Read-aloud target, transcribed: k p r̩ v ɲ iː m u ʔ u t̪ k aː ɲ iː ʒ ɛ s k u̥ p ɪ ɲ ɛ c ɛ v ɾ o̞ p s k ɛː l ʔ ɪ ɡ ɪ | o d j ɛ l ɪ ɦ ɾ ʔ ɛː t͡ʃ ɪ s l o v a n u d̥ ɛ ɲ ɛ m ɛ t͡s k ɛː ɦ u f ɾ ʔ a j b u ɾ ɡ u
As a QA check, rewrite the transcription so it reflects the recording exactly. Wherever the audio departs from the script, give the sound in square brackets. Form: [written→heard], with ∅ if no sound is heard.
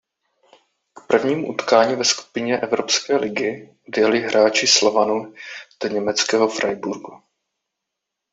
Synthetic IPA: k p r̩ v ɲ iː m u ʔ u t̪ k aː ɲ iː [ʒ→v] ɛ s k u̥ p ɪ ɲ ɛ [c→ʔ] ɛ v ɾ o̞ p s k ɛː l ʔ ɪ ɡ ɪ | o d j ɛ l ɪ ɦ ɾ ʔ [ɛː→aː] t͡ʃ ɪ s l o v a n u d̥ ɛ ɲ ɛ m ɛ t͡s k ɛː ɦ [u→o] f ɾ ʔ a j b u ɾ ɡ u